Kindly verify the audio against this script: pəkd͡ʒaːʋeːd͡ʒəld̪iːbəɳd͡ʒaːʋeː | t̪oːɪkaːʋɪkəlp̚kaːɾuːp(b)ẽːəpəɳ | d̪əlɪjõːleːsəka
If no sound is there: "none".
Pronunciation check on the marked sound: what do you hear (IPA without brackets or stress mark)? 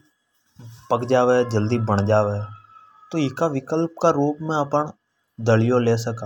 m